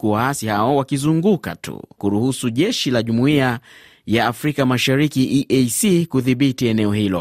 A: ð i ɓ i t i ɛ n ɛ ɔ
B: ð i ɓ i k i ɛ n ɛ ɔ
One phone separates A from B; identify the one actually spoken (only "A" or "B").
A